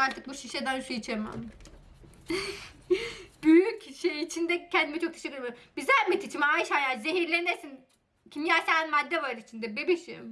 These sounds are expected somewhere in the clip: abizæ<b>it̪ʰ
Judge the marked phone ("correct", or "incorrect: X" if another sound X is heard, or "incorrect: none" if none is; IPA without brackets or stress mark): incorrect: m